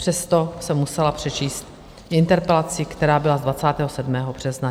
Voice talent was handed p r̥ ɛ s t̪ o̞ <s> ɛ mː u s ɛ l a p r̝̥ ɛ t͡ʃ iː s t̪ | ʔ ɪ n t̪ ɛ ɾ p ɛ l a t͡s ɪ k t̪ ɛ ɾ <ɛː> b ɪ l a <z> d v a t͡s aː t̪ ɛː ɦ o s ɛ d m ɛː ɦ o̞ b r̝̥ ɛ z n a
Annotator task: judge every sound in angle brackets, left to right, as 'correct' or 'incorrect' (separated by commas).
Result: correct, incorrect, correct